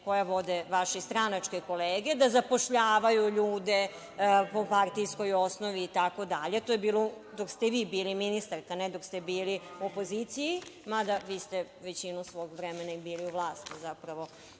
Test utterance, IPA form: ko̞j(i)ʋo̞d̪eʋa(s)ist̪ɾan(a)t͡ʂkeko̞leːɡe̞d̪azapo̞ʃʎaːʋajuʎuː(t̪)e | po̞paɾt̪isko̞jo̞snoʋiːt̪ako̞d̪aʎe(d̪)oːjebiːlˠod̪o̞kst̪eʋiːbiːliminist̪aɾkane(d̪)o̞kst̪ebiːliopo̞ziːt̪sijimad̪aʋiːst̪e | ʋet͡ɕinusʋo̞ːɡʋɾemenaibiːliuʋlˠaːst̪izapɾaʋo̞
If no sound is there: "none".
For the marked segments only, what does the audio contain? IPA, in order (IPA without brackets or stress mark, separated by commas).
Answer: a, ʃ, a, d̪, t̪, d̪